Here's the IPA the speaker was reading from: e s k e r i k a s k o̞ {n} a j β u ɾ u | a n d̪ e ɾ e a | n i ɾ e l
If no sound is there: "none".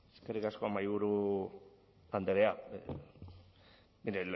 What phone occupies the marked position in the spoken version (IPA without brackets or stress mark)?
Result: m